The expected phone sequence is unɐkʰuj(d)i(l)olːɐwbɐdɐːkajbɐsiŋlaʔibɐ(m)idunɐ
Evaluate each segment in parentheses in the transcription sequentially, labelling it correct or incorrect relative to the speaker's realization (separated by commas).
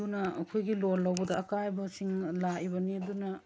incorrect, correct, incorrect